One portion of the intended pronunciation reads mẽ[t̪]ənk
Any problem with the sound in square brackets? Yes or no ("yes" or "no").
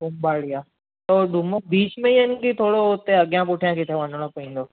yes